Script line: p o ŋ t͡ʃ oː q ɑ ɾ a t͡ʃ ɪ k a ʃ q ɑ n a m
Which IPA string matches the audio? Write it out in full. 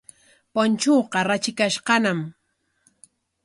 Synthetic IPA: p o n t͡ʃ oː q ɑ ɾ a t͡ʃ ɪ k a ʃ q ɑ n a m